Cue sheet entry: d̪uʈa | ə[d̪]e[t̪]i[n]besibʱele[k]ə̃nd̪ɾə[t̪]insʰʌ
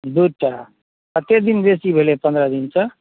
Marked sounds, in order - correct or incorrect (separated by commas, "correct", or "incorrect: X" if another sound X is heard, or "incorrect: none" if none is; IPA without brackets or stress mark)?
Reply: incorrect: t̪, incorrect: d̪, correct, incorrect: p, incorrect: d̪